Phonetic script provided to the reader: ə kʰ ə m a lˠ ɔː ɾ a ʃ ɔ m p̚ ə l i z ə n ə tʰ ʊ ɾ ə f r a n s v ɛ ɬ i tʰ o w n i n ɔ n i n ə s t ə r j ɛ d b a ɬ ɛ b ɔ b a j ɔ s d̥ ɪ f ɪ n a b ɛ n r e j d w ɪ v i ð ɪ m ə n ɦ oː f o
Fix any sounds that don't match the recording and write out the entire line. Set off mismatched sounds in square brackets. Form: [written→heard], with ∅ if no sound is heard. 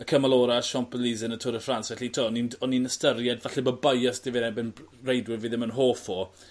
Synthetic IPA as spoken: ə kʰ ə m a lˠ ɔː ɾ a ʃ ɔ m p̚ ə l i z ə n ə tʰ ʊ ɾ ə f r a n s v ɛ ɬ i tʰ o [w→∅] n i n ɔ n i n ə s t ə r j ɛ d [b→v] a ɬ ɛ b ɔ b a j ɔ s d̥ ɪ [f→v] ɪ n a b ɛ n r e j d w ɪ v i ð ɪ m ə n ɦ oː f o